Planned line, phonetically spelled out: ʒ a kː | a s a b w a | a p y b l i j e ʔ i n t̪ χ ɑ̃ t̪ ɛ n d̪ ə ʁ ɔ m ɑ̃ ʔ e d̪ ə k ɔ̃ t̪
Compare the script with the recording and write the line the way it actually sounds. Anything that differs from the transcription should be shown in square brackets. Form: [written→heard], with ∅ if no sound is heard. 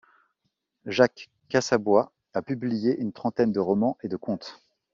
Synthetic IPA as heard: ʒ a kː | a s a b w a | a p y b l i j e ʔ [i→y] n t̪ χ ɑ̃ t̪ ɛ n d̪ ə ʁ ɔ m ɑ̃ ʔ e d̪ ə k ɔ̃ t̪